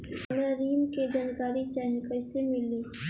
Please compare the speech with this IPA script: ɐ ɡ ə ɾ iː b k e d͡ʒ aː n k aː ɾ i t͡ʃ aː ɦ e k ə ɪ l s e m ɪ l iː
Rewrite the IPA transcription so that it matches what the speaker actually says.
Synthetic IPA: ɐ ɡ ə ɾ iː m k e d͡ʒ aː n k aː ɾ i t͡ʃ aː ɦ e k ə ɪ s e m ɪ l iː